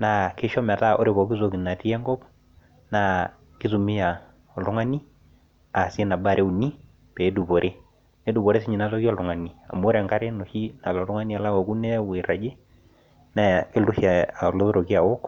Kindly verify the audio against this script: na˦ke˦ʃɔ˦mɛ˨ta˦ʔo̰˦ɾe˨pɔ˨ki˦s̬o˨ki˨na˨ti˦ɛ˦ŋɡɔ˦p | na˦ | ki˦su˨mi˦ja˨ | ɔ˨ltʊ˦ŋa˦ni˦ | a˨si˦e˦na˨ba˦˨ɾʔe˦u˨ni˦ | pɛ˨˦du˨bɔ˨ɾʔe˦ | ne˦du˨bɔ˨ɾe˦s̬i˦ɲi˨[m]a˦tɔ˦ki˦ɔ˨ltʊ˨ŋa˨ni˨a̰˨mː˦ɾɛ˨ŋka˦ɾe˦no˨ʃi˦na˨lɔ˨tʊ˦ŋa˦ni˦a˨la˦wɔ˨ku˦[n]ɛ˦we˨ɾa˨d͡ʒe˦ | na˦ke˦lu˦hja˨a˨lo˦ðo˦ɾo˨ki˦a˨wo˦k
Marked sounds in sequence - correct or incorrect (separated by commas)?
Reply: incorrect, correct